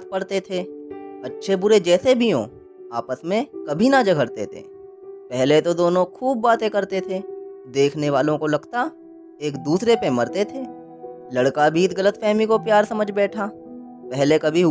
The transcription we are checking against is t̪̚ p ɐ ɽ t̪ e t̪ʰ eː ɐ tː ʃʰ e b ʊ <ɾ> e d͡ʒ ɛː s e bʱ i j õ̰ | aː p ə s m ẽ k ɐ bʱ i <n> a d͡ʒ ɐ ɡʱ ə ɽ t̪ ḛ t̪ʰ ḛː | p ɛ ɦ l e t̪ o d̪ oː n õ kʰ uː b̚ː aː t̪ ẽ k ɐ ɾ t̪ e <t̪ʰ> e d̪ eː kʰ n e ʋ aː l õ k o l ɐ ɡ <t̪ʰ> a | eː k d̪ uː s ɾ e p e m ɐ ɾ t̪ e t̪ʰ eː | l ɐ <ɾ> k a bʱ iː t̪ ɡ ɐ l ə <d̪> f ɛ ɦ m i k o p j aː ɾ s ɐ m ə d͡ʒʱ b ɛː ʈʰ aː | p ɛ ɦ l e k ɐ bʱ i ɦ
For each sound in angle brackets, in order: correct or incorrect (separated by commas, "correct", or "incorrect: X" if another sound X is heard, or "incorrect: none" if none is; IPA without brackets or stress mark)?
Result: correct, correct, correct, incorrect: t̪, incorrect: ɽ, incorrect: t̪